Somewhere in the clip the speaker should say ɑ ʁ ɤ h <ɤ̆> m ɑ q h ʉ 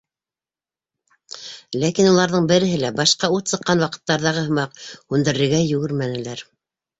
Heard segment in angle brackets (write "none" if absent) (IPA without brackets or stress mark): ɤ̆